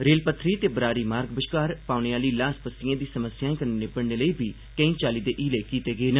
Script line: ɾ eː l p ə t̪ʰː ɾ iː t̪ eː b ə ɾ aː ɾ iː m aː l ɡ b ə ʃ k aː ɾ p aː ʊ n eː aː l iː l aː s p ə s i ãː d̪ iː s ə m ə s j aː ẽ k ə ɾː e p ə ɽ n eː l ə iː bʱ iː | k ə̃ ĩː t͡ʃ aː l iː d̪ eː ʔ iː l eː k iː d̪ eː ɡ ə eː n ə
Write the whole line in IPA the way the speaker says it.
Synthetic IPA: ɾ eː l p ə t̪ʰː ɾ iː t̪ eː b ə ɾ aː ɾ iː m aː ɾ ɡ b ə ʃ k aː ɾ p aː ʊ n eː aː l iː l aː s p ə s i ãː d̪ iː s ə m ə s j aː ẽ k ə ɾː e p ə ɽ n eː l ə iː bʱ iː | k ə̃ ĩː t͡ʃ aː l iː d̪ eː ʔ iː l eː k iː t̪ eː ɡ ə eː n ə